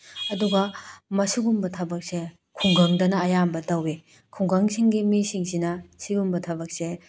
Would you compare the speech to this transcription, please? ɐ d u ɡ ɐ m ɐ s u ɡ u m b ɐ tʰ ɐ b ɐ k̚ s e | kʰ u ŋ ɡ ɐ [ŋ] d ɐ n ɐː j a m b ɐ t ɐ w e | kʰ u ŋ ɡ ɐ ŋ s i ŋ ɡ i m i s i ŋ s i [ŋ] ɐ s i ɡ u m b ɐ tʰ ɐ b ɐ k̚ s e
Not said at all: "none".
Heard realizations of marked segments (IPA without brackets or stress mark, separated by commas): ŋ, n